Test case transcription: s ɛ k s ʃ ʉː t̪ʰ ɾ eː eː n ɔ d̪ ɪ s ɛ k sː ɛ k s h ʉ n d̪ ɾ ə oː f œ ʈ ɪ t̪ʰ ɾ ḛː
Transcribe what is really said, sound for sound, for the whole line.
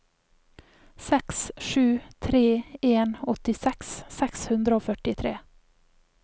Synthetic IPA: s ɛ k s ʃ ʉː t̪ʰ ɾ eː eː n ɔ t̪ ɪ s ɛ k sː ɛ k s h ʉ n d̪ ɾ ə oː f œ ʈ ɪ t̪ʰ ɾ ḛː